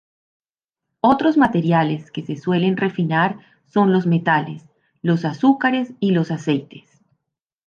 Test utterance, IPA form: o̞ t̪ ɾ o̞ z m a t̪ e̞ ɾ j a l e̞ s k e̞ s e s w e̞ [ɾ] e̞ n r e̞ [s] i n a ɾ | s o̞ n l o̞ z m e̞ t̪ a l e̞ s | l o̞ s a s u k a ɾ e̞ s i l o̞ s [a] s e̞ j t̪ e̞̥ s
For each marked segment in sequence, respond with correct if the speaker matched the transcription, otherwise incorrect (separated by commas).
incorrect, incorrect, correct